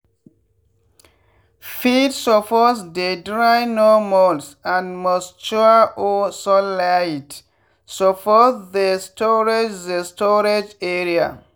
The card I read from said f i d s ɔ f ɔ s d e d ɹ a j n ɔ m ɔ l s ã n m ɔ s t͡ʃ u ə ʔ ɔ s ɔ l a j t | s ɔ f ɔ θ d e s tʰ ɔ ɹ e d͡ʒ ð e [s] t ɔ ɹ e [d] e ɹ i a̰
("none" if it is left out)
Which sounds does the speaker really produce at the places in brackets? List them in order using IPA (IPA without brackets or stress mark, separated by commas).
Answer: s, d͡ʒ